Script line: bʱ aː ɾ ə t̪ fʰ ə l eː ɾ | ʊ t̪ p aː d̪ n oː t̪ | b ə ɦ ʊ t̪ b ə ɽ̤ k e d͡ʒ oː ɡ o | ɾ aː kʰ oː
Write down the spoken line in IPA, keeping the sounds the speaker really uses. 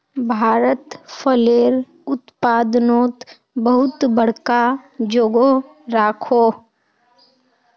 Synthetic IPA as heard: bʱ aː ɾ ə t̪ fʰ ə l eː ɾ | ʊ t̪ p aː d̪ n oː t̪ | b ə ɦ ʊ t̪ b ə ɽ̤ k a d͡ʒ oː ɡ o | ɾ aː kʰ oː